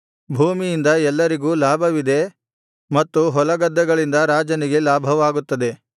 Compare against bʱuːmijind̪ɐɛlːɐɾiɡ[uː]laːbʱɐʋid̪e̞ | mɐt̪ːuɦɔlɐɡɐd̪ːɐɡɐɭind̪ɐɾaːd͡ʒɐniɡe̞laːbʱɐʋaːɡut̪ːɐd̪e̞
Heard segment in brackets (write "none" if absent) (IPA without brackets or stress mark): uː